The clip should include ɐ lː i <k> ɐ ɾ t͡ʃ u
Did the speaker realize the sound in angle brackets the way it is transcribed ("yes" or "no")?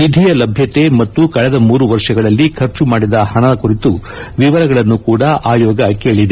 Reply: no